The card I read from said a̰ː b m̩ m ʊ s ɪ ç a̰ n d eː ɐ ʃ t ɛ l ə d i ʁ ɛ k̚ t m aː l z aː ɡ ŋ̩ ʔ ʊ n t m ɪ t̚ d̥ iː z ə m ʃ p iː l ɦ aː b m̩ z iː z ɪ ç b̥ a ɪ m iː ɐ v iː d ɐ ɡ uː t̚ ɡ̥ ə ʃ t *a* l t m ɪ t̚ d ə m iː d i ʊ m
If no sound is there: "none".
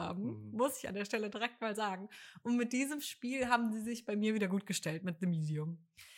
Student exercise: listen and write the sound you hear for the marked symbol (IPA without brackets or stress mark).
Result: ɛ